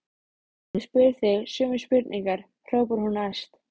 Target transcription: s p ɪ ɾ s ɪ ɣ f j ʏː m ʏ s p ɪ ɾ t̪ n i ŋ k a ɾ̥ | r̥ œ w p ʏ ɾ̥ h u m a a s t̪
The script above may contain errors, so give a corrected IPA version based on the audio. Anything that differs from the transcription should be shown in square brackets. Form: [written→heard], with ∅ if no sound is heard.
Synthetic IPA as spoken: s p ɪ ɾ [s→θ] ɪ ɣ [f→s] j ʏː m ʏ s p ɪ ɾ t̪ n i ŋ k a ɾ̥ | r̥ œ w p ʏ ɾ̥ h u [m→n] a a s t̪

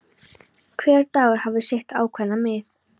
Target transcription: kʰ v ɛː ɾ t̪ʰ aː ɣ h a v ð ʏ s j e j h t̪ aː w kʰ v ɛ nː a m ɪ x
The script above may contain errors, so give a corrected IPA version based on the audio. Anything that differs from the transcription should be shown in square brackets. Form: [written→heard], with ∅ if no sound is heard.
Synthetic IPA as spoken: kʰ v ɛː ɾ [t̪ʰ→t̪] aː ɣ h a v ð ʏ s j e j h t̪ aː w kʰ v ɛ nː a m ɪ [x→θ]

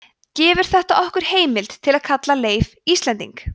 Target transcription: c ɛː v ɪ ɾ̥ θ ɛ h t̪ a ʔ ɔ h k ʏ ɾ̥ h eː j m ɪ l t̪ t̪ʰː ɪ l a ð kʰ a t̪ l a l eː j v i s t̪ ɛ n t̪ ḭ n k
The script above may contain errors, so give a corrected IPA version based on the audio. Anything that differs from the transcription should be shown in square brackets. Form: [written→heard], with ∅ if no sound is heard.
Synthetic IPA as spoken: c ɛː v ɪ ɾ̥ θ ɛ h t̪ a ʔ ɔ h k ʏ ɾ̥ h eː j m ɪ l t̪ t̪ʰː ɪ l a ð kʰ a t̪ l a l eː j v i s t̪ ɛ n t̪ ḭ [n→ŋ] k

